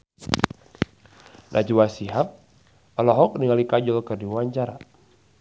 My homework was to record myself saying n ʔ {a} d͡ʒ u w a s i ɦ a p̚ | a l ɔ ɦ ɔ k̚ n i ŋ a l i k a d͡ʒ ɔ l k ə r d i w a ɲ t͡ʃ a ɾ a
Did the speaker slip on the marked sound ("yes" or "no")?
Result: no